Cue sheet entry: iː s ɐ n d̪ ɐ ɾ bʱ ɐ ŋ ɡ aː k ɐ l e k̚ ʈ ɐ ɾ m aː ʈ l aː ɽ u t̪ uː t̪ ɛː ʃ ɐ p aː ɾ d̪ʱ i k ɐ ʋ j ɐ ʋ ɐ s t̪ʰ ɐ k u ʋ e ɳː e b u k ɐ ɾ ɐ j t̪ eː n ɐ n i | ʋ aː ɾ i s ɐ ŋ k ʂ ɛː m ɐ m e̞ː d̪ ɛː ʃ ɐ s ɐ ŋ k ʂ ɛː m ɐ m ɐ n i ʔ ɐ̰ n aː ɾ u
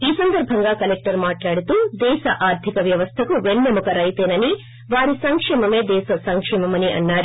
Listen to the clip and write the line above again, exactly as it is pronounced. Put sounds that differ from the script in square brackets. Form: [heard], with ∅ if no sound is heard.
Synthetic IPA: iː s ɐ n d̪ ɐ ɾ bʱ ɐ ŋ ɡ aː k ɐ l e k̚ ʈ ɐ ɾ m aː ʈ l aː ɽ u t̪ uː [d̪] ɛː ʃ ɐ [ʔ] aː ɾ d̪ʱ i k ɐ ʋ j ɐ ʋ ɐ s t̪ʰ ɐ k u ʋ e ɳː e [m] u k ɐ ɾ ɐ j t̪ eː n ɐ n i | ʋ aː ɾ i s ɐ ŋ k ʂ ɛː m ɐ m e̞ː d̪ ɛː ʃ ɐ s ɐ ŋ k ʂ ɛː m ɐ m ɐ n i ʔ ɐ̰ [nː] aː ɾ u

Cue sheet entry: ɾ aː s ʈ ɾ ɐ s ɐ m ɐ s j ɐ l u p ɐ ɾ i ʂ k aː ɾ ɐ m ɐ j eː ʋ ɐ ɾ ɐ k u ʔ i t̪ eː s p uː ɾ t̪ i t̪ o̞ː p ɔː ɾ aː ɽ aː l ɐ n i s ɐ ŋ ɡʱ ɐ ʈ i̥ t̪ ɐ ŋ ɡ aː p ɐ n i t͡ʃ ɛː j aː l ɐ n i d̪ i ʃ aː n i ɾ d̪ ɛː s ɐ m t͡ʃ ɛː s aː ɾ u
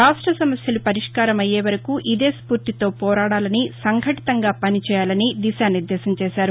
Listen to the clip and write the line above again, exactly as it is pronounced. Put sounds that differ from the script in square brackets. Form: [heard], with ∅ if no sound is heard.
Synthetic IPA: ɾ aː [ʂ] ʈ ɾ ɐ s ɐ m ɐ s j ɐ l u p ɐ ɾ i ʂ k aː ɾ ɐ m ɐ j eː ʋ ɐ ɾ ɐ k u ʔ i [d̪] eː s p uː ɾ t̪ i t̪ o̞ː p ɔː ɾ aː ɽ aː l ɐ n i s ɐ ŋ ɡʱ ɐ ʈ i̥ t̪ ɐ ŋ ɡ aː p ɐ n i t͡ʃ ɛː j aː l ɐ n i d̪ i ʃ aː n i ɾ d̪ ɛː s ɐ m t͡ʃ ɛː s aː ɾ u

